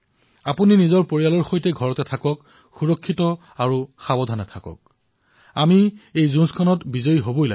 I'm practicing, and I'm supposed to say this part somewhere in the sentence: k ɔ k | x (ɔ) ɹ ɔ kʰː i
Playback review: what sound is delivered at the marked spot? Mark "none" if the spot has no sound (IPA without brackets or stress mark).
u